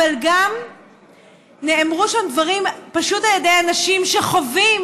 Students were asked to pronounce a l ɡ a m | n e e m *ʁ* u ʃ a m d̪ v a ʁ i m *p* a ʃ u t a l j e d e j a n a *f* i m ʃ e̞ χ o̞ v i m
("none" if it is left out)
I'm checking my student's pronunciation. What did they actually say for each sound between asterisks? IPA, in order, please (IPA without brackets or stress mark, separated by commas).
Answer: ʁ, p, ʃ